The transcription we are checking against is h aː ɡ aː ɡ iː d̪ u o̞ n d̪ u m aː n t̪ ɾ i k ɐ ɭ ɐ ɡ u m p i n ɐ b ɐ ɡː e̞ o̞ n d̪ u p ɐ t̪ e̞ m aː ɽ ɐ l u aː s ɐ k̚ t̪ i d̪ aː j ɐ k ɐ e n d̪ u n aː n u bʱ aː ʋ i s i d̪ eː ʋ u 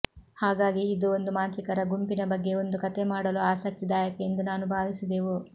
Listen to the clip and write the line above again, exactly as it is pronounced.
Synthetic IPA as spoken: h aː ɡ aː ɡ iː d̪ u o̞ n d̪ u m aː n t̪ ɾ i k ɐ ɾ ɐ ɡ u m p i n ɐ b ɐ ɡː e̞ o̞ n d̪ u k ɐ t̪ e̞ m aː ɽ ɐ l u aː s ɐ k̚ t̪ i d̪ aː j ɐ k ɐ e n d̪ u n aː n u bʱ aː ʋ i s i d̪ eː ʋ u

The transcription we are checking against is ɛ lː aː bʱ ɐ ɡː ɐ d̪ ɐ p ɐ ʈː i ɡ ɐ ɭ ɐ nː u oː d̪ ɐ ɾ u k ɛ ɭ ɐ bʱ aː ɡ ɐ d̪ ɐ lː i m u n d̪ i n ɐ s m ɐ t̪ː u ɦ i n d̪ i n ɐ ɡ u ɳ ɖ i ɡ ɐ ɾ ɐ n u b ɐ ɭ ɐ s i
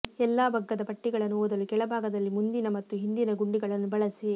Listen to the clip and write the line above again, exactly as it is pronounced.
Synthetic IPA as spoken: ɛ lː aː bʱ ɐ ɡː ɐ d̪ ɐ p ɐ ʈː i ɡ ɐ ɭ ɐ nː u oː d̪ ɐ l u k ɛ ɭ ɐ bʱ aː ɡ ɐ d̪ ɐ lː i m u n d̪ i n ɐ m ɐ t̪ː u ɦ i n d̪ i n ɐ ɡ u ɳ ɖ i ɡ ɐ ɭ ɐ nː u b ɐ ɭ ɐ s i

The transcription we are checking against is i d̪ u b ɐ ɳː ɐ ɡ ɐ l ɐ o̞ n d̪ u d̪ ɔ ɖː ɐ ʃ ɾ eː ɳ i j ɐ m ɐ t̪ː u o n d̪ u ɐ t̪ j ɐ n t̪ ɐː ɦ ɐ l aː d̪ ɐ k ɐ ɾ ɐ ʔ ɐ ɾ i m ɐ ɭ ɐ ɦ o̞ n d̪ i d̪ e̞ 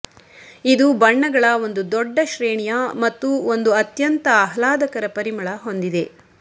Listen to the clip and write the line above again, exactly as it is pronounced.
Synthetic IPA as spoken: i d̪ u b ɐ ɳː ɐ ɡ ɐ ɭ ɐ o̞ n d̪ u d̪ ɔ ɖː ɐ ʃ ɾ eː ɳ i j ɐ m ɐ t̪ː u o n d̪ u ɐ t̪ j ɐ n t̪ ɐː ɦ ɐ l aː d̪ ɐ k ɐ ɾ ɐ p ɐ ɾ i m ɐ ɭ ɐ ɦ o̞ n d̪ i d̪ e̞

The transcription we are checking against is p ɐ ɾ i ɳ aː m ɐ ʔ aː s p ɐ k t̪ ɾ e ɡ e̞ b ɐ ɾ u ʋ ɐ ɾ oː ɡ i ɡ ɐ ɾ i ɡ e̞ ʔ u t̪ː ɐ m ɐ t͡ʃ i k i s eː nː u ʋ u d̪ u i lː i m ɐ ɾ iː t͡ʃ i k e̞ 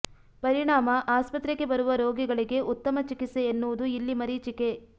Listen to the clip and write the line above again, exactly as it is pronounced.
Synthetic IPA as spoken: p ɐ ɾ i ɳ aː m ɐ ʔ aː s p ɐ t̪ ɾ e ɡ e̞ b ɐ ɾ u ʋ ɐ ɾ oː ɡ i ɡ ɐ ɭ i ɡ e̞ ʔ u t̪ː ɐ m ɐ t͡ʃ i k i s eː nː u ʋ u d̪ u i lː i m ɐ ɾ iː t͡ʃ i k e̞

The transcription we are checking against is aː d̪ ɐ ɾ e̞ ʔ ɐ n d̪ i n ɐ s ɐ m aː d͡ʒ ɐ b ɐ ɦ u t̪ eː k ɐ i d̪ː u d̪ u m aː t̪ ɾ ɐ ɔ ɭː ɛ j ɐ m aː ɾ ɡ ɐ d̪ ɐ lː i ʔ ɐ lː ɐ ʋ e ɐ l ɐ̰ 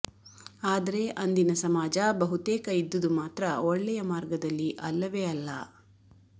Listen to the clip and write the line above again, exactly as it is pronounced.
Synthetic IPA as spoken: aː d̪ ɐ ɾ e̞ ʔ ɐ n d̪ i n ɐ s ɐ m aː d͡ʒ ɐ b ɐ ɦ u t̪ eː k ɐ i d̪ː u d̪ u m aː t̪ ɾ ɐ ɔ ɭː ɛ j ɐ m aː ɾ ɡ ɐ d̪ ɐ lː i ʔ ɐ lː ɐ ʋ e ɐ lː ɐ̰

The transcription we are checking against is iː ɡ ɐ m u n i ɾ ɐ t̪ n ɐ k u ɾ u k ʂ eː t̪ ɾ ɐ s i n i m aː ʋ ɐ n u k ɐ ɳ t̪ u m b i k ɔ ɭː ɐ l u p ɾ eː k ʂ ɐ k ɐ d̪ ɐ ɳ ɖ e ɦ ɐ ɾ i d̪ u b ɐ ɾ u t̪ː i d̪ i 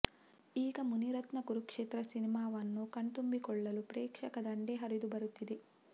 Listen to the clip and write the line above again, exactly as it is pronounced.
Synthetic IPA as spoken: iː ɡ ɐ m u n i ɾ ɐ t̪ n ɐ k u ɾ u k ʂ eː t̪ ɾ ɐ s i n i m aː ʋ ɐ nː u k ɐ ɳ t̪ u m b i k ɔ ɭː ɐ l u p ɾ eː k ʂ ɐ k ɐ d̪ ɐ ɳ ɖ e ɦ ɐ ɾ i d̪ u b ɐ ɾ u t̪ː i d̪ e

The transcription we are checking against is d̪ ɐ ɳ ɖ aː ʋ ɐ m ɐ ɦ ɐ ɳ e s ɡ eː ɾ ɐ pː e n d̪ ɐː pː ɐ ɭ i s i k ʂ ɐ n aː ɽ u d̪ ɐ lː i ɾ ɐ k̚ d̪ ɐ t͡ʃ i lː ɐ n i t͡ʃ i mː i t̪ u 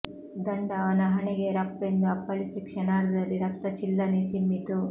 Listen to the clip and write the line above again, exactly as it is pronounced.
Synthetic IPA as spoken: d̪ ɐ ɳ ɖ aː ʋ ɐ n ɐ ɦ ɐ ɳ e ɡ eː ɾ ɐ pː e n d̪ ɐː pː ɐ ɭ i s i k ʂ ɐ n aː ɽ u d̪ ɐ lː i ɾ ɐ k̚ t̪ ɐ t͡ʃ i lː ɐ n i t͡ʃ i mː i t̪ u

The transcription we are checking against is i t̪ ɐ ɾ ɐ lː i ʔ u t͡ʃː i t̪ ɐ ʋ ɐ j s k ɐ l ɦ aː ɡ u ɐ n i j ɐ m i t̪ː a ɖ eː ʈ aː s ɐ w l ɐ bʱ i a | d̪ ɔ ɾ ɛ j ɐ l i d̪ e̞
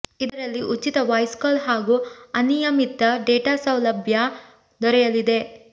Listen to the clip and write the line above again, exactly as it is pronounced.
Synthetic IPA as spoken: i d̪ ɐ ɾ ɐ lː i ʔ u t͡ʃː i t̪ ɐ ʋ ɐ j s k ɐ l ɦ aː ɡ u ɐ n i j ɐ m i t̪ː ɐ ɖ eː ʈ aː s ɐ w l ɐ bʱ j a | d̪ ɔ ɾ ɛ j ɐ l i d̪ e̞

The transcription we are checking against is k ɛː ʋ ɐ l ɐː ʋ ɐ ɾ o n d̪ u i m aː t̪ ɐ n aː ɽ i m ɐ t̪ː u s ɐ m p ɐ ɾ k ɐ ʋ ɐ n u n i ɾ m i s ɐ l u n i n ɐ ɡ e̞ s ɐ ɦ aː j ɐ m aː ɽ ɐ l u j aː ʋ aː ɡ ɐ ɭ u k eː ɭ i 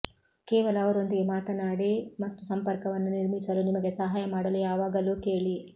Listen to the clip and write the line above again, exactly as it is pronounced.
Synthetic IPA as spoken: k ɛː ʋ ɐ l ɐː ʋ ɐ ɾ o n d̪ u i m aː t̪ ɐ n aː ɽ i m ɐ t̪ː u s ɐ m p ɐ ɾ k ɐ ʋ ɐ nː u n i ɾ m i s ɐ l u n i m ɐ ɡ e̞ s ɐ ɦ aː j ɐ m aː ɽ ɐ l u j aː ʋ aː ɡ ɐ l u k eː ɭ i

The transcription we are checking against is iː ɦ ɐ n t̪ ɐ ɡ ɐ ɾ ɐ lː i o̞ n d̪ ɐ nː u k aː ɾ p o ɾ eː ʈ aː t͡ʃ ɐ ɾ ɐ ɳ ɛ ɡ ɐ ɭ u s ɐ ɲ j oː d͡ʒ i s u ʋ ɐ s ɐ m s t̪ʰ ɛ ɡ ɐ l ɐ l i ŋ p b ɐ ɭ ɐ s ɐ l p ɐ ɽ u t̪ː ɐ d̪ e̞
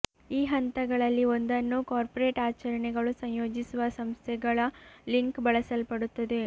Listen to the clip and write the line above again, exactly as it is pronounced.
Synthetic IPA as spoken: iː ɦ ɐ n t̪ ɐ ɡ ɐ ɭ ɐ lː i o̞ n d̪ ɐ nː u k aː ɾ p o ɾ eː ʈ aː t͡ʃ ɐ ɾ ɐ ɳ ɛ ɡ ɐ ɭ u s ɐ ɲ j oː d͡ʒ i s u ʋ ɐ s ɐ m s t̪ʰ ɛ ɡ ɐ ɭ ɐ l i ŋ k b ɐ ɭ ɐ s ɐ l p ɐ ɽ u t̪ː ɐ d̪ e̞

